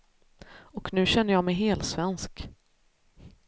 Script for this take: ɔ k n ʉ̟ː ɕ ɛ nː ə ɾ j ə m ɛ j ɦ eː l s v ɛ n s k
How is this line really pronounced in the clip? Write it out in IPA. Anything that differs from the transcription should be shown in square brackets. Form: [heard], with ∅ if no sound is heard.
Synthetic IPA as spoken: ɔ k n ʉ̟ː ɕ ɛ nː ə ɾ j [ɑ] m ɛ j ɦ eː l s v ɛ n s k